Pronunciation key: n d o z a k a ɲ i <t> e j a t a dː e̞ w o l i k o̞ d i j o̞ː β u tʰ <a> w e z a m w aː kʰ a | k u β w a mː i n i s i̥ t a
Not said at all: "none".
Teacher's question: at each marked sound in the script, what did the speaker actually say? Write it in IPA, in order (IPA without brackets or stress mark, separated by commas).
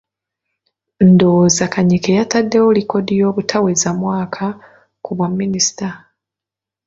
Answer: k, a